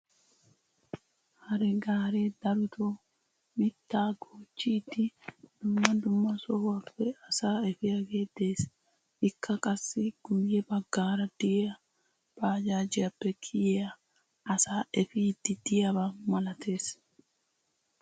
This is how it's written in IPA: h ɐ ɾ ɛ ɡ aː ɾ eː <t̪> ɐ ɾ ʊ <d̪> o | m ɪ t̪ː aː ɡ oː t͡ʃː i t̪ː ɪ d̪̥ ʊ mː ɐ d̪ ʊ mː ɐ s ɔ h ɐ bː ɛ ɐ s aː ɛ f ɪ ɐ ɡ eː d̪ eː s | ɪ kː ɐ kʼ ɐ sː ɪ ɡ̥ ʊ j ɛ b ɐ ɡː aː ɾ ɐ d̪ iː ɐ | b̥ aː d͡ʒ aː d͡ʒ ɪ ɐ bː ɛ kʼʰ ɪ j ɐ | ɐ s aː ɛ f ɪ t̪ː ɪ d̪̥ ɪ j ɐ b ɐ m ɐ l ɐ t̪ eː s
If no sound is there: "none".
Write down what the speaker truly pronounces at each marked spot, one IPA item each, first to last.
d̪, t̪

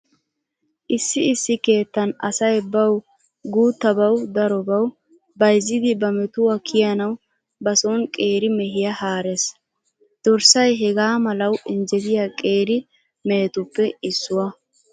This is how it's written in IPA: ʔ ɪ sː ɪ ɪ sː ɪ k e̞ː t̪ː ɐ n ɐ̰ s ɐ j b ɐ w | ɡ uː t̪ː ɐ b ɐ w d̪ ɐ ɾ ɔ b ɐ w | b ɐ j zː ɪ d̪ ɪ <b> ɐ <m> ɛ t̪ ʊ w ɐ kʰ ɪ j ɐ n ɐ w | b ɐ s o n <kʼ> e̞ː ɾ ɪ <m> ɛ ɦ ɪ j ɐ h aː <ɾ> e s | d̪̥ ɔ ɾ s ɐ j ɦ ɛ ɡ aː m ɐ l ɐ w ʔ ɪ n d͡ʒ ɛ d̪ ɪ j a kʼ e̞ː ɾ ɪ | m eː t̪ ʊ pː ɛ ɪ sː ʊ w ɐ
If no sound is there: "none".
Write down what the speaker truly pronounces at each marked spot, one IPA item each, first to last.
b, m, kʼ, m, ɾ

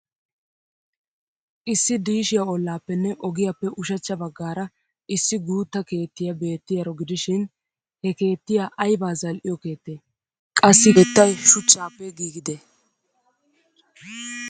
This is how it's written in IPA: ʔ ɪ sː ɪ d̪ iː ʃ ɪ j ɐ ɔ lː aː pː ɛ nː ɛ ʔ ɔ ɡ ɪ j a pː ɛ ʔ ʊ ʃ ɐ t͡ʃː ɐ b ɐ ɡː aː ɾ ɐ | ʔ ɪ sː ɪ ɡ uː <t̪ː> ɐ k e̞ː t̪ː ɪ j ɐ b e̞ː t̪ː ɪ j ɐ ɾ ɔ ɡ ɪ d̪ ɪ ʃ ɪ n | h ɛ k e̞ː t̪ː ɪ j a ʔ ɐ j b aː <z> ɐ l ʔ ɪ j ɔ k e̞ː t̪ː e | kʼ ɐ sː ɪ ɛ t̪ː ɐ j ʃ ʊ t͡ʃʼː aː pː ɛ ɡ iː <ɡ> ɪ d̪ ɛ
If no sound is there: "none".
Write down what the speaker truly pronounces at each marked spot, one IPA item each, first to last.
t̪ː, z, ɡ

